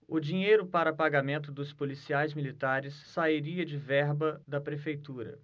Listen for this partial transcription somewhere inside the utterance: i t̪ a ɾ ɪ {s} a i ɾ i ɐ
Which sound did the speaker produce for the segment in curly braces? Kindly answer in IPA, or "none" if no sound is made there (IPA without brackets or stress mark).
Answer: sː